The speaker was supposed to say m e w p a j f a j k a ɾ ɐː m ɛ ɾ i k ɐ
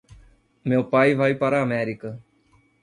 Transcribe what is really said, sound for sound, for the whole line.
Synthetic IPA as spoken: m e w p a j v a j p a ɾ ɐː m ɛ ɾ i k ɐ

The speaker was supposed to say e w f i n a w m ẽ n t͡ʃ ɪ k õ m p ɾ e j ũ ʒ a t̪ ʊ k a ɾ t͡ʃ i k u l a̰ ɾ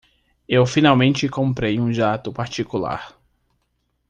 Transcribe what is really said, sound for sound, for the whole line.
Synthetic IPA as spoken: e w f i n a w m ẽ n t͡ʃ ɪ k õ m p ɾ e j ũ ʒ a t̪ ʊ p a ɾ t͡ʃ i k u l a̰ ɾ

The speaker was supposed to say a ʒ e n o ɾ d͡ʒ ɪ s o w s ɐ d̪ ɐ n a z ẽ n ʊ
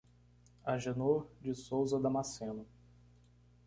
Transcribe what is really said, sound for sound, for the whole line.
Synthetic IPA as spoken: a ʒ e n o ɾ d͡ʒ ɪ s o w z ɐ d̪ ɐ m a s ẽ n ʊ

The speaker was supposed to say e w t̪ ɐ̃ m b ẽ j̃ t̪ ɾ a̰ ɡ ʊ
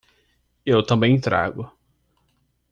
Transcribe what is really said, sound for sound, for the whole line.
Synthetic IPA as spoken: e w t̪ ɐ̃ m b ẽ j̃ t̪ ɾ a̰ ɡ ʊ

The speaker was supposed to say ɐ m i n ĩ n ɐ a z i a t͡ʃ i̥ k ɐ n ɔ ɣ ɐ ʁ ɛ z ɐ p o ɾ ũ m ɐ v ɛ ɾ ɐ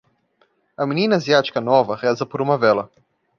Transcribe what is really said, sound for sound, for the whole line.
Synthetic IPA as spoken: ɐ m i n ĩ n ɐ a z i a t͡ʃ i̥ k ɐ n ɔ v ɐ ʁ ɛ z ɐ p o ɾ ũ m ɐ v ɛ l ɐ

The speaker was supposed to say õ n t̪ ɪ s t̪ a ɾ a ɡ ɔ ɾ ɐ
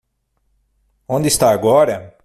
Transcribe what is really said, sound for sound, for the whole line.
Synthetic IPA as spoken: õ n d̪ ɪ s t̪ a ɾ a ɡ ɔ ɾ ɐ

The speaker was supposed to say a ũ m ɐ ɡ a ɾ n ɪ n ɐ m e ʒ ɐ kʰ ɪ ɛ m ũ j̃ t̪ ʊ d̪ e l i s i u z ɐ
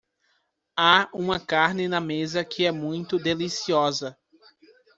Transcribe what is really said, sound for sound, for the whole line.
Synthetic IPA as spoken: a ũ m ɐ k a ɾ n ɪ n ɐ m e z ɐ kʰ ɪ ɛ m ũ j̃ t̪ ʊ d̪ e l i s i ɔ z ɐ

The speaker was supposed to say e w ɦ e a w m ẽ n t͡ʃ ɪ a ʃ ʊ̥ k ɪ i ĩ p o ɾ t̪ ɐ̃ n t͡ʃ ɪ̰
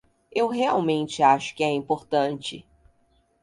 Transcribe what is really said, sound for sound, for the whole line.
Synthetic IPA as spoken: e w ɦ e a w m ẽ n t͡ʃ ɪ a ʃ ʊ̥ k ɪ ɛ ĩ p o ɾ t̪ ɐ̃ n t͡ʃ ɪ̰

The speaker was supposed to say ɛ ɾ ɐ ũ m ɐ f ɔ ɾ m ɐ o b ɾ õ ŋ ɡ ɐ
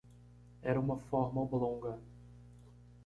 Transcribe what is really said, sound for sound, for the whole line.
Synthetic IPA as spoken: ɛ ɾ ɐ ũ m ɐ f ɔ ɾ m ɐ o b l õ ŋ ɡ ɐ

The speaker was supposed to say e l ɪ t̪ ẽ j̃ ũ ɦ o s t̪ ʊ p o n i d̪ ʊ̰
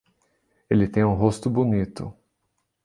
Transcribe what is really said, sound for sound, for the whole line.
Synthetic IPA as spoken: e l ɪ t̪ ẽ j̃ ũ ɦ o s t̪ ʊ b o n i t̪ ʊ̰

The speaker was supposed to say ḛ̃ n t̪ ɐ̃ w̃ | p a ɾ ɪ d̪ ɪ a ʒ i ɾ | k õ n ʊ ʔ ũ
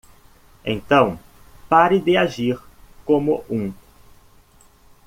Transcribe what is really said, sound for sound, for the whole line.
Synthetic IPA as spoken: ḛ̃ n t̪ ɐ̃ w̃ | p a ɾ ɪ d̪ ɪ a ʒ i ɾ | k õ m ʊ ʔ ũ

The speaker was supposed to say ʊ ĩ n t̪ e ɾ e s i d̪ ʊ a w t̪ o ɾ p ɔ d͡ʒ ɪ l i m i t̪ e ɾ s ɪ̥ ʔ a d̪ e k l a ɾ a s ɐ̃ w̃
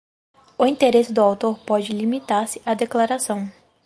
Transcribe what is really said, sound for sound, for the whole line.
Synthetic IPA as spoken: ʊ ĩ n t̪ e ɾ e s ɪ d̪ ʊ a w t̪ o ɾ p ɔ d͡ʒ ɪ l i m i t̪ a ɾ s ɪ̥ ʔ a d̪ e k l a ɾ a s ɐ̃ w̃

